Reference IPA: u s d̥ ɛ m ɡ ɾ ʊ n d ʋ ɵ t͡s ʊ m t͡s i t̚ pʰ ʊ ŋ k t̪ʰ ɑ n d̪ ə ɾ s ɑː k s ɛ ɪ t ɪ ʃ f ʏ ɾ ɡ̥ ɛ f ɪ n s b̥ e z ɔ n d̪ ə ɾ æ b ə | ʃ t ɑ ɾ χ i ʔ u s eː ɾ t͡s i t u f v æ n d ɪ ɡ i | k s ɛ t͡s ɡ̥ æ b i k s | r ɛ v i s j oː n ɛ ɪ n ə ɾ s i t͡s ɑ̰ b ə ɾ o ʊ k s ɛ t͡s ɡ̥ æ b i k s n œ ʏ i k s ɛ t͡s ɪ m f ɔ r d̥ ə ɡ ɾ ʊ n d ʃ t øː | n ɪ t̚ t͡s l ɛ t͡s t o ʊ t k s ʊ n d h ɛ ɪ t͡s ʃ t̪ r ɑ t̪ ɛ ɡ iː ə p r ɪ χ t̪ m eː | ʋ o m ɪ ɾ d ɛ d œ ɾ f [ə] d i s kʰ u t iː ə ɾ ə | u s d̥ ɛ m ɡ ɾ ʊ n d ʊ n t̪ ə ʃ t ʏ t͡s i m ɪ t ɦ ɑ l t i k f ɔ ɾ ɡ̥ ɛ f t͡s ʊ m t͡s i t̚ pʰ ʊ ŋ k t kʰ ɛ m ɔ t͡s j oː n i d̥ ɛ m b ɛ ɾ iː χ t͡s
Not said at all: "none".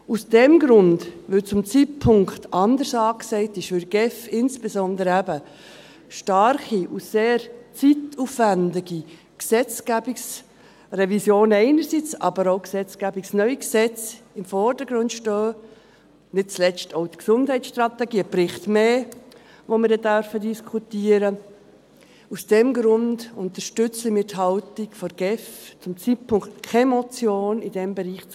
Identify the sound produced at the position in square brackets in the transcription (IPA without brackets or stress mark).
ə